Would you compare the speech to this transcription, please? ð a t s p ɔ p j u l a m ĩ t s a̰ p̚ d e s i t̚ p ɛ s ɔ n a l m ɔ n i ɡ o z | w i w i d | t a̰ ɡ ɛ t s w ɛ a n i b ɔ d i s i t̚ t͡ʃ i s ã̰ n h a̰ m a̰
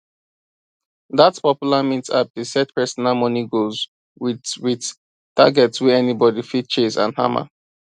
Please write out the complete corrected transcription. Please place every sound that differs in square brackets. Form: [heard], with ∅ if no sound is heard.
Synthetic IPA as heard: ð a t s p ɔ p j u l a m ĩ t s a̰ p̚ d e s [ɛ] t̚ p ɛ s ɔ n a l m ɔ n i ɡ o z | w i w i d | t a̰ ɡ ɛ t s w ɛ [ɛ] n i b ɔ d i [f] i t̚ t͡ʃ [e] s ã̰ n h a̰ m a̰